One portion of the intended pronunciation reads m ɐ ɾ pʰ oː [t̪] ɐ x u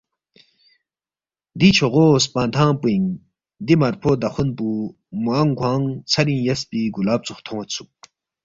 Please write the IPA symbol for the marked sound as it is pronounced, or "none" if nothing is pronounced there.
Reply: d̪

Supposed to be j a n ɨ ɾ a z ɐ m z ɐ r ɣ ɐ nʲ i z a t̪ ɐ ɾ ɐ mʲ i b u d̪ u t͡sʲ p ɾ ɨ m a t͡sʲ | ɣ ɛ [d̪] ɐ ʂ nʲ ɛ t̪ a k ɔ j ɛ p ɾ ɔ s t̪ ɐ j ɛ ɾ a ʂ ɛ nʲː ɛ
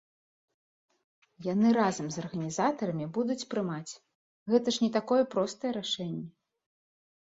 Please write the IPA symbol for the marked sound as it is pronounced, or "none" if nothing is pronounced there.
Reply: t̪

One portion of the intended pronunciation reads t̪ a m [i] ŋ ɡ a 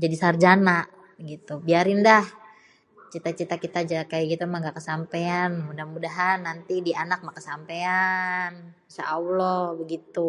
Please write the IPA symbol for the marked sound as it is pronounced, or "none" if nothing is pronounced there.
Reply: a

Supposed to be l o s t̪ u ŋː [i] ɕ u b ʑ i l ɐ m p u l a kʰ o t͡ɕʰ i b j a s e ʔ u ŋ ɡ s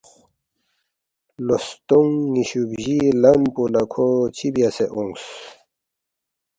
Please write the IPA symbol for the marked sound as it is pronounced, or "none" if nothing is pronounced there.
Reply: i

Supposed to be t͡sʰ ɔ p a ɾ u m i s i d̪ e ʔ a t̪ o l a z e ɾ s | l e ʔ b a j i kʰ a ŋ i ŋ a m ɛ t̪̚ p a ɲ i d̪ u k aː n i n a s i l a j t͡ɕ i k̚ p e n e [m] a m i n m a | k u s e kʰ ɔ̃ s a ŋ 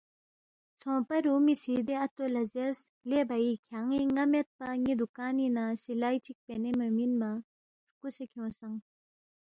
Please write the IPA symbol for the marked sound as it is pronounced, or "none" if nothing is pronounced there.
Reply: m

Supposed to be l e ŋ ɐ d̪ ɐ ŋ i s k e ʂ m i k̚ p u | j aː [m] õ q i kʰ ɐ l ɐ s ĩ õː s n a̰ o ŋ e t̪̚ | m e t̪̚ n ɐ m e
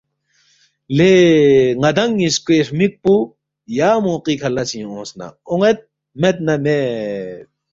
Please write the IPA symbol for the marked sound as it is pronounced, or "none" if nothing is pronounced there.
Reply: m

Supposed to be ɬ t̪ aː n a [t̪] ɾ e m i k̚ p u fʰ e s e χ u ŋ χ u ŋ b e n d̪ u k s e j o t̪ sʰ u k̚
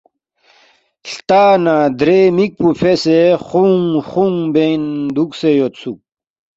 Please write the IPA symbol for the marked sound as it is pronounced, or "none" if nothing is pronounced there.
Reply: d̪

